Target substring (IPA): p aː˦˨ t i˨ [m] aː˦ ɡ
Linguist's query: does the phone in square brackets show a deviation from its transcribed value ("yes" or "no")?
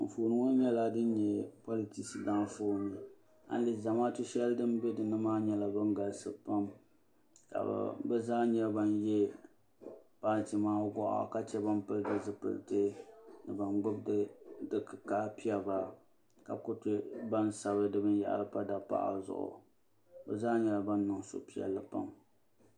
no